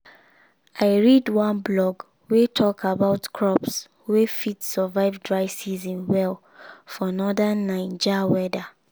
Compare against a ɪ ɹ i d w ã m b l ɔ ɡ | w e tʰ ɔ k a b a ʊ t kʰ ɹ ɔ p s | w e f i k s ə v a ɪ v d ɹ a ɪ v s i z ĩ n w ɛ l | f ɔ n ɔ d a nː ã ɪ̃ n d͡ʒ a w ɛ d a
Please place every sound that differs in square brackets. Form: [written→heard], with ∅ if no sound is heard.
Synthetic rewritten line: a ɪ ɹ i d w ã [m→n] b l ɔ ɡ | w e tʰ ɔ k a b a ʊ t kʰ ɹ ɔ p s | w e f i [k→t] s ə v a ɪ v d ɹ a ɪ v s i z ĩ n w ɛ l | f ɔ n ɔ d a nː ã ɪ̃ n d͡ʒ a w ɛ d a